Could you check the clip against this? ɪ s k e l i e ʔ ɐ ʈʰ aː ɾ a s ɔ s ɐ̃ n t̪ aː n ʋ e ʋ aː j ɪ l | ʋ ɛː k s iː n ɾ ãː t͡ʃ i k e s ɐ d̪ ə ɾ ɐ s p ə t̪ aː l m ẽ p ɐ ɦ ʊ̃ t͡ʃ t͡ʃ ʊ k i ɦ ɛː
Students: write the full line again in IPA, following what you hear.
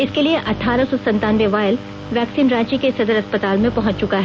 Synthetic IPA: ɪ s k e l i e ʔ ɐ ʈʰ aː ɾ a s ɔ s ɐ̃ n t̪ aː n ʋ e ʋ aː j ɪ l | ʋ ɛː k s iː n ɾ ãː t͡ʃ i k e s ɐ d̪ ə ɾ ɐ s p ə t̪ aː l m ẽ p ɐ ɦ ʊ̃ t͡ʃ t͡ʃ ʊ k a ɦ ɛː